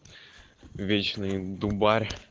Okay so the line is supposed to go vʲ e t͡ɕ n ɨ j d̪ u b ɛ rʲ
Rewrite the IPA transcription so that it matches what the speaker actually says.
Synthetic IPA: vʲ e t͡ɕ n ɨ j d̪ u b a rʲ

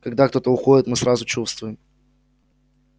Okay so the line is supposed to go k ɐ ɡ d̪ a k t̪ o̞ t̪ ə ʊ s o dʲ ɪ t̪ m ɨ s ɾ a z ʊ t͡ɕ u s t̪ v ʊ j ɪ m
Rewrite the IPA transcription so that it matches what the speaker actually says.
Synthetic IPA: k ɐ ɡ d̪ a k t̪ o̞ t̪ ə ʊ x o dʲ ɪ t̪ m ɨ s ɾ a z ʊ t͡ɕ u s t̪ v ʊ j ɪ m

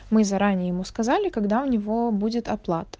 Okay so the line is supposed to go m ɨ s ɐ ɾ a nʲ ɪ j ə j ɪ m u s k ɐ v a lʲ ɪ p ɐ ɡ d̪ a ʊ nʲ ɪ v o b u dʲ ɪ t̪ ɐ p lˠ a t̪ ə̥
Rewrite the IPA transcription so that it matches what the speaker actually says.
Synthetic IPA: m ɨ z ɐ ɾ a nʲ ɪ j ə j ɪ m u s k ɐ z a lʲ ɪ k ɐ ɡ d̪ a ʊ nʲ ɪ v o b u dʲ ɪ t̪ ɐ p lˠ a t̪ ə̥

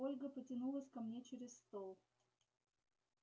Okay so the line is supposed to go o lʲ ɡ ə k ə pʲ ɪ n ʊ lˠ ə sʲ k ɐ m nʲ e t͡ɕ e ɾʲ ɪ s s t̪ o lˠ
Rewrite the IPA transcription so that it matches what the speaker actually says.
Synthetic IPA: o lʲ ɡ ə p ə tʲ ɪ n u lˠ ə sʲ k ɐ m nʲ e t͡ɕ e ɾʲ ɪ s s t̪ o lˠ

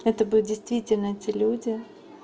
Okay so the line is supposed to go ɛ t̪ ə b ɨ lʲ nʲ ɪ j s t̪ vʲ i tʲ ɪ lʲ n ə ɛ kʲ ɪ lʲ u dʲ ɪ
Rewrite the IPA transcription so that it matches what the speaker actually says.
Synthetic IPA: ɛ t̪ ə b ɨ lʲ dʲ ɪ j s t̪ vʲ i tʲ ɪ lʲ n ə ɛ tʲ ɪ lʲ u dʲ ɪ

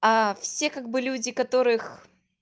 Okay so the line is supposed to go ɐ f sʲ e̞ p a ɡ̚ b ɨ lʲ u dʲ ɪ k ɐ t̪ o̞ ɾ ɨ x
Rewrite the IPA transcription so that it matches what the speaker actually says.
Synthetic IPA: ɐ f sʲ e̞ k a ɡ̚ b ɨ lʲ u dʲ ɪ k ɐ t̪ o̞ ɾ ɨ x

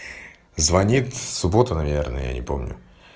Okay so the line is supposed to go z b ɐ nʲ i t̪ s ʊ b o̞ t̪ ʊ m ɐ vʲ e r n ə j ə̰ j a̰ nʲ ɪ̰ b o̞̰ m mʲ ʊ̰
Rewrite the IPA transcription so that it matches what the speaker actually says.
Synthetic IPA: z v ɐ nʲ i t̪ s ʊ b o̞ t̪ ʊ n ɐ vʲ e r n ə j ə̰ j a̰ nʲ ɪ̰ p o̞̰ m nʲ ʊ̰

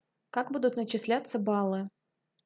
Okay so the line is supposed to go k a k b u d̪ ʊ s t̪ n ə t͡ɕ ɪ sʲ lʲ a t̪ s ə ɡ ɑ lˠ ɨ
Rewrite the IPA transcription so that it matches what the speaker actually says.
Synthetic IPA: k a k b u d̪ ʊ t̪ n ə t͡ɕ ɪ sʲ lʲ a t̪ s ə b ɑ lˠ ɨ

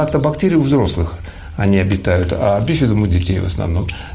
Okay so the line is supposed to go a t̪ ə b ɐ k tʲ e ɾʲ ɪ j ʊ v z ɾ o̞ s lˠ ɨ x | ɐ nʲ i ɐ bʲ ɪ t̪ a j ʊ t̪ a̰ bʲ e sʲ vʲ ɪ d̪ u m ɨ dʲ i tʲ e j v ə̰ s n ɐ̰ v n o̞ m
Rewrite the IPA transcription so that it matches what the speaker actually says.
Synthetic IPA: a t̪ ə b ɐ k tʲ e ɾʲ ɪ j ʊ v z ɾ o̞ s lˠ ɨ x | ɐ nʲ i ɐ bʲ ɪ t̪ a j ʊ t̪ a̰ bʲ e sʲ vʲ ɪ d̪ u m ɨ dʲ ɪ tʲ e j v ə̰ s n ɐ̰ v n o̞ m

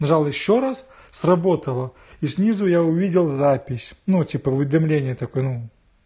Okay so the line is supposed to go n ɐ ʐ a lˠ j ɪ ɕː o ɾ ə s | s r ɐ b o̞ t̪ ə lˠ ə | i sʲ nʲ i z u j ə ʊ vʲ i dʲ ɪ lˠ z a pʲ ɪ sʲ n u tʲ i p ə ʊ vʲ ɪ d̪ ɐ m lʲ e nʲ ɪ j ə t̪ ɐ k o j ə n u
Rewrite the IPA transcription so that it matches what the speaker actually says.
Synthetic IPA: n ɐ ʐ a lˠ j ɪ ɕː o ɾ a s | s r ɐ b o̞ t̪ ə lˠ ə | i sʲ nʲ i z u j a ʊ vʲ i dʲ ɪ lˠ z a pʲ ɪ sʲ n u tʲ i p ə ʊ vʲ ɪ d̪ ɐ m lʲ e nʲ ɪ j ə t̪ ɐ k o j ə n u

